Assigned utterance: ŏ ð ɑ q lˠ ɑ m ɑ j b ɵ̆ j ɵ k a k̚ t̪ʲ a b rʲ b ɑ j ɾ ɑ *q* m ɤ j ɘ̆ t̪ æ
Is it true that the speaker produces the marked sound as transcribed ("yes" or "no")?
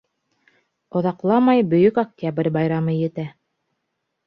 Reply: no